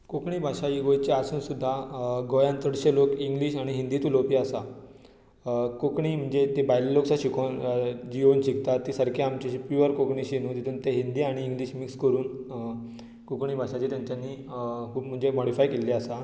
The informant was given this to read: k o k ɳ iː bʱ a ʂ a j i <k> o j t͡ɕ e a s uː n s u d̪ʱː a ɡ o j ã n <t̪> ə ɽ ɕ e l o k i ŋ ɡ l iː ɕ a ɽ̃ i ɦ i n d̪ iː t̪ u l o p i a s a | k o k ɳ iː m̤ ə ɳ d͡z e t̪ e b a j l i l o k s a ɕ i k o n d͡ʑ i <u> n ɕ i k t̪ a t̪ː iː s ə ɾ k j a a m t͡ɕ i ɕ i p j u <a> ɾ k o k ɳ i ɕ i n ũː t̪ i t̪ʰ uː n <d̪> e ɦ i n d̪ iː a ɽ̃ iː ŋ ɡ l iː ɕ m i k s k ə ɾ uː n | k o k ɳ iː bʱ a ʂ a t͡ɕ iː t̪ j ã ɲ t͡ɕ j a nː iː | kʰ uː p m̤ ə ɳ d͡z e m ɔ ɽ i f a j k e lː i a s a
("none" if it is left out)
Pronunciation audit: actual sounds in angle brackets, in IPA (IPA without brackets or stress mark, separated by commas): ɡ, t̪, o, ə, t̪